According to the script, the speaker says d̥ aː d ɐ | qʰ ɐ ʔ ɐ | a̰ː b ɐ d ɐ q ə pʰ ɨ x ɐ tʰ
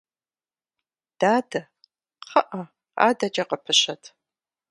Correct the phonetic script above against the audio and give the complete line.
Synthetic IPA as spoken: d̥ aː d ɐ | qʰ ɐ ʔ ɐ | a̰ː d ɐ d͡ʒ ɐ q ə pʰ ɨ ɕ ɐ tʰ